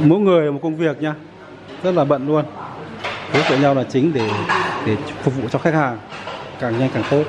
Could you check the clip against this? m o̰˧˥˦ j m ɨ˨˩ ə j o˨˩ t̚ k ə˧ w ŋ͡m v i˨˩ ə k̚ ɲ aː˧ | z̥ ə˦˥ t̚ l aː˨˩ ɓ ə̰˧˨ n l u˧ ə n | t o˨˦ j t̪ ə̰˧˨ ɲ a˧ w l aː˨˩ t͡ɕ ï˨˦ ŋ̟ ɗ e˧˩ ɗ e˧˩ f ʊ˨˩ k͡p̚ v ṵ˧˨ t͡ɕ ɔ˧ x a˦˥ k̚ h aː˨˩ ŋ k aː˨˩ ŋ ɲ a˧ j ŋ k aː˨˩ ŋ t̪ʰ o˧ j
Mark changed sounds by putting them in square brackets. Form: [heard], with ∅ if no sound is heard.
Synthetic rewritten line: m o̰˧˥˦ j [ŋ] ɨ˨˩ ə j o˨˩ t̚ k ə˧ w ŋ͡m v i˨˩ ə k̚ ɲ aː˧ | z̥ ə˦˥ t̚ l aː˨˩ ɓ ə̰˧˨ n l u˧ ə n | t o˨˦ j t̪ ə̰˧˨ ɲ a˧ w l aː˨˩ t͡ɕ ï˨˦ ŋ̟ ɗ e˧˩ ɗ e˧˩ f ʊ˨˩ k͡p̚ v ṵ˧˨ t͡ɕ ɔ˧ x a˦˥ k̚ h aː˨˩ ŋ k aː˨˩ ŋ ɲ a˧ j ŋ k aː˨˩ ŋ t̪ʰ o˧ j